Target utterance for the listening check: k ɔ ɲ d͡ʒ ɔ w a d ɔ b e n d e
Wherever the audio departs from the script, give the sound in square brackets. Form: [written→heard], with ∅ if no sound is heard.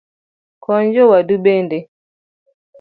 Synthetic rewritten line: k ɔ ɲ d͡ʒ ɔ w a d [ɔ→u] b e n d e